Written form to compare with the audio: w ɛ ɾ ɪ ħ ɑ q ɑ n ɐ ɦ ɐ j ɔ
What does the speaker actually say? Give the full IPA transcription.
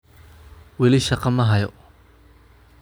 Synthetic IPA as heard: w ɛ l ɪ ʃ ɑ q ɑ m ɐ ɦ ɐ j ɔ

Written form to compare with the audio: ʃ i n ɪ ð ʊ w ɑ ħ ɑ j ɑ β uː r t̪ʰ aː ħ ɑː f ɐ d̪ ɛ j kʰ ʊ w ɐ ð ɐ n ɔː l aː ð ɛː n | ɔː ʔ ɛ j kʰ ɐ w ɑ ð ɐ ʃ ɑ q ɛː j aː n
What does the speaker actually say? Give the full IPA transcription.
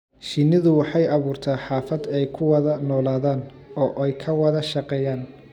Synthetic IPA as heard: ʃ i n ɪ ð ʊ w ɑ ħ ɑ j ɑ β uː r t̪ʰ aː ħ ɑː f ɐ d̪ ɛ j kʰ ʊ w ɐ ð ɐ n ɔː l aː ð aː n | ɔː ʔ ɛ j kʰ ɐ w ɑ ð ɐ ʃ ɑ q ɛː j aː n

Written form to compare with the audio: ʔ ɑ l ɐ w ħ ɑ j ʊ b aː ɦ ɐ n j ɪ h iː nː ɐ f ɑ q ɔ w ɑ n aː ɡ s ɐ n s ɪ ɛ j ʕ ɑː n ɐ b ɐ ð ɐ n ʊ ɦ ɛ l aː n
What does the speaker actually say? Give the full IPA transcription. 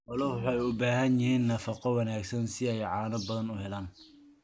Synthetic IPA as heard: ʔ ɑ l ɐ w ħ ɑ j ʊ b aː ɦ ɐ n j ɪ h iː nː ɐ f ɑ q ɔ w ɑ n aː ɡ s ɐ n s ɪ ɛ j ʕ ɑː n ɐ b ɐ ð ɐ n ʊ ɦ ɛ l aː n

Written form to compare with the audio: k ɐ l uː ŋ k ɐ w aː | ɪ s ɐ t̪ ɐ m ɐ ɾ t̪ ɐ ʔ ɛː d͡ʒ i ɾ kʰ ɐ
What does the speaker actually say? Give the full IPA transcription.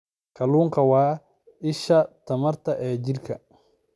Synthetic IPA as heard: k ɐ l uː ŋ k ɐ w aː | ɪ ʃ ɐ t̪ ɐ m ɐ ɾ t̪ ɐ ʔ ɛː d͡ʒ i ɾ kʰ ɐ

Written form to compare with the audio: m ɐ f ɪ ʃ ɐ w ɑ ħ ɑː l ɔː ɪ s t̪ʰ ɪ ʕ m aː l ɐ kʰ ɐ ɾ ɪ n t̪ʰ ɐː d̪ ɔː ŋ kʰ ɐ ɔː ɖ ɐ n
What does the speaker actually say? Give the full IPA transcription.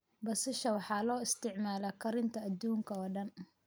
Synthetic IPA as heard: b ɐ s ɪ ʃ ɐ w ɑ ħ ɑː l ɔː ɪ s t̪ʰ ɪ ʕ m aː l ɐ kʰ ɐ ɾ ɪ n t̪ʰ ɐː d̪ uː ŋ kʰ ɐ ɔː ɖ ɐ n

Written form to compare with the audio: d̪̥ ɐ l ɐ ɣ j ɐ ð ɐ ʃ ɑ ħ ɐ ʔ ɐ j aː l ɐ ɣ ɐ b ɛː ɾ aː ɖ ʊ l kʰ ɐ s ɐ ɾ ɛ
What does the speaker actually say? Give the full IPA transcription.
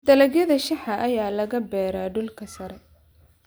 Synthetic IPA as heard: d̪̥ ɐ l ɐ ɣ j ɐ ð ɐ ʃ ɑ ħ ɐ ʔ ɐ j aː l ɐ ɣ ɐ b ɛː ɾ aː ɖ ʊ l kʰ ɐ s ɐ ɾ ɛ

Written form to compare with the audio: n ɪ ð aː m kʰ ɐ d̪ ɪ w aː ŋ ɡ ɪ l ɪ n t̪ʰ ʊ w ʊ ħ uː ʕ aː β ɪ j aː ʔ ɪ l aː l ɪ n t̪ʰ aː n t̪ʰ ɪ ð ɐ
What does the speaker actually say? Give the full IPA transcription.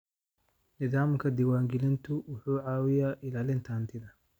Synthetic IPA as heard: n ɪ ð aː m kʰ ɐ d̪ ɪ w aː ŋ ɡ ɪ l ɪ n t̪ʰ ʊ w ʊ ħ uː ʕ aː w ɪ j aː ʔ ɪ l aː l ɪ n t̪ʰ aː n t̪ʰ ɪ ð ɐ

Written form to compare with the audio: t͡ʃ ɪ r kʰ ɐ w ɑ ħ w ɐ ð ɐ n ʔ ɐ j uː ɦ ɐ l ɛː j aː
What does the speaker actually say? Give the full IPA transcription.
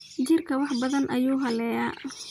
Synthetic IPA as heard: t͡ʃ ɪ r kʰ ɐ w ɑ ħ b ɐ ð ɐ n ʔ ɐ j uː ɦ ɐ l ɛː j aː

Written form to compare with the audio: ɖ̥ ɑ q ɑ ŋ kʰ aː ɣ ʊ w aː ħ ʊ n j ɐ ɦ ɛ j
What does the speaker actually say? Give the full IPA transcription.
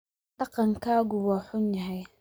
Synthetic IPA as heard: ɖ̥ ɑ q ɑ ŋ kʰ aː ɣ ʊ w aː ħ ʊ n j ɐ ɦ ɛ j

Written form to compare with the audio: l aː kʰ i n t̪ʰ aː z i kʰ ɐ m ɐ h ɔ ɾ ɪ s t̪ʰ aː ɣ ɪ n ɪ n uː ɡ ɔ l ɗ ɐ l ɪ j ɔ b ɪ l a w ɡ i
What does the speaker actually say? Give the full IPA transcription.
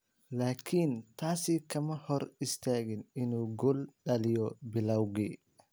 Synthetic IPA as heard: l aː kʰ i n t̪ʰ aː s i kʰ ɐ m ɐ h ɔ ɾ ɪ s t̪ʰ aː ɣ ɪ n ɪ n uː ɡ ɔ l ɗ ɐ l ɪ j ɔ b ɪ l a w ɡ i

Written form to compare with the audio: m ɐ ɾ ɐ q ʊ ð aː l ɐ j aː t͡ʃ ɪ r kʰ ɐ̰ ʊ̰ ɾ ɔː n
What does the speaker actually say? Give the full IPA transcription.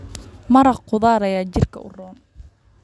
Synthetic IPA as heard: m ɐ ɾ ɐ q ʊ ð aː ɾ ɐ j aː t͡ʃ ɪ r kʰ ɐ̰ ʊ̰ r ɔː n

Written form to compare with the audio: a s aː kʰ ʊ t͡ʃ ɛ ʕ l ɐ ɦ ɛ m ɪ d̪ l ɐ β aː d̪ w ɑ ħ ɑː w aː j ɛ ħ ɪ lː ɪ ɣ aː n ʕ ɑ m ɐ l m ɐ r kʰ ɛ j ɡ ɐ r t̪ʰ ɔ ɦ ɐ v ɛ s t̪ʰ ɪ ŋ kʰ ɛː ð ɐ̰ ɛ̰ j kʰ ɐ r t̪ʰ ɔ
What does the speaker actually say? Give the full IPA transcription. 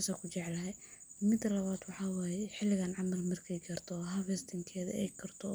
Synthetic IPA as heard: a s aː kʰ ʊ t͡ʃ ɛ ʕ l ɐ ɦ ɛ m ɪ d̪ l ɐ β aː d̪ w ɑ ħ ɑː w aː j ɛ ħ ɪ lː ɪ ɣ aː n ʕ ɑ m ɐ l m ɐ r kʰ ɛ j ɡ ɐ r t̪ʰ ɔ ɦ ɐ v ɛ s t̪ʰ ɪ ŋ kʰ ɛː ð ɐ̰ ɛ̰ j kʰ ɐ r t̪ʰ ɔ

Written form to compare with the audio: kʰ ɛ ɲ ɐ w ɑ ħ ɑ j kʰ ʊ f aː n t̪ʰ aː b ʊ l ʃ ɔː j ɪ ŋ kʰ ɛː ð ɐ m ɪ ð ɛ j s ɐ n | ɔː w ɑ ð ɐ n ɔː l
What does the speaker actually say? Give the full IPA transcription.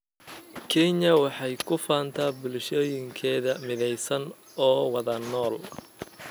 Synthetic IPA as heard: kʰ ɛ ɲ ɐ w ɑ ħ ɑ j kʰ ʊ f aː n t̪ʰ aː b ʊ l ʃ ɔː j ɪ ŋ kʰ ɛː ð ɐ m ɪ ð ɛ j s ɐ n | ɔː w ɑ ð ɐ n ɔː l

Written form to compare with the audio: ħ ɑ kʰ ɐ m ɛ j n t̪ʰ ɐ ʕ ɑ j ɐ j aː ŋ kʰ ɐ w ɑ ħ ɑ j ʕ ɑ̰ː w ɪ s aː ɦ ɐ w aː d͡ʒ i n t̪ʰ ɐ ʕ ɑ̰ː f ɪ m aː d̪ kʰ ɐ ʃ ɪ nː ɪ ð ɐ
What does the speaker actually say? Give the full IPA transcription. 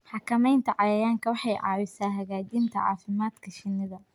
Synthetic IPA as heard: ħ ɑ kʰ ɐ m ɛ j n t̪ʰ ɐ ʕ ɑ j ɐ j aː ŋ kʰ ɐ w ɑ ħ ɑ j ʕ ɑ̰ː w ɪ s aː ɦ ɐ ɣ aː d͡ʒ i n t̪ʰ ɐ ʕ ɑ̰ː f ɪ m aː d̪ kʰ ɐ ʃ ɪ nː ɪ ð ɐ

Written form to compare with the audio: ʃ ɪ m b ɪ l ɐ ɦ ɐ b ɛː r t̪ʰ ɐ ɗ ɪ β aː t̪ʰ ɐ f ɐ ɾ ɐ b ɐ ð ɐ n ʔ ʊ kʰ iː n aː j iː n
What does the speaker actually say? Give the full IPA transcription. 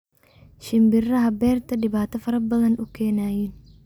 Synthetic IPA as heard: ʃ ɪ m b ɪ r ɐ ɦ ɐ b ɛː r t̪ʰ ɐ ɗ ɪ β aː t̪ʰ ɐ f ɐ ɾ ɐ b ɐ ð ɐ n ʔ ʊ kʰ ɛː n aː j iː n

